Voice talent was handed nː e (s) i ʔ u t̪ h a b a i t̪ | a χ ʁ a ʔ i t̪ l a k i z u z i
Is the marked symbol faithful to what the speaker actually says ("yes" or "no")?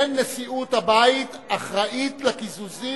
yes